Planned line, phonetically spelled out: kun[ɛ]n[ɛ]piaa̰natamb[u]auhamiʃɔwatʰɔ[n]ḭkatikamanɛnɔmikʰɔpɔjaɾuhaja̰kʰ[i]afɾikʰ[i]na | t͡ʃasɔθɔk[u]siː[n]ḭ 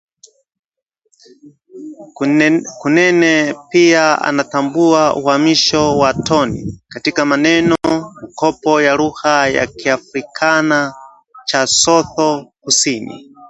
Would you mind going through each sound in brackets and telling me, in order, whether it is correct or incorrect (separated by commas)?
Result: correct, correct, correct, correct, correct, incorrect, correct, correct